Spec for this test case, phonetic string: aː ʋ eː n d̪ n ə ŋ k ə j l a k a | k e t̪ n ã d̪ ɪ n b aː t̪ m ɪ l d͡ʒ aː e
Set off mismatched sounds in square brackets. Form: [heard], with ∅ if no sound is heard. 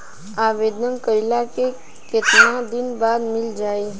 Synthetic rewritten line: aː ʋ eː [∅] d̪ n ə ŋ k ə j l a k [e] | k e t̪ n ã d̪ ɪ n b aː [d̪] m ɪ l d͡ʒ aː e